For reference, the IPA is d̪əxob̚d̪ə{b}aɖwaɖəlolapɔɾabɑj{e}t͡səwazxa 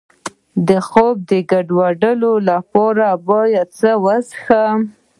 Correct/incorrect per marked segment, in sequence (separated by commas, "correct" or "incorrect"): incorrect, incorrect